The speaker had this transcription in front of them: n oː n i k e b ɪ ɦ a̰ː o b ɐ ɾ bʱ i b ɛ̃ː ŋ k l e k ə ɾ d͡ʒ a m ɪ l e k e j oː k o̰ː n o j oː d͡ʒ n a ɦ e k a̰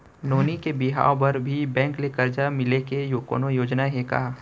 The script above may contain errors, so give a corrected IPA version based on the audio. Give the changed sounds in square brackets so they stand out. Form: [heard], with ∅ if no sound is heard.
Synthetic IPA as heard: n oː n i k e b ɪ ɦ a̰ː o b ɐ ɾ bʱ i b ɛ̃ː ŋ k l e k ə ɾ d͡ʒ a m ɪ l e k e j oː k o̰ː n o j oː d͡ʒ n a ɦ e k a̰